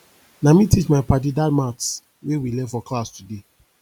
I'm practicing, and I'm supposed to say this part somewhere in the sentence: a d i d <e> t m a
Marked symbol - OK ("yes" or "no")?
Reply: no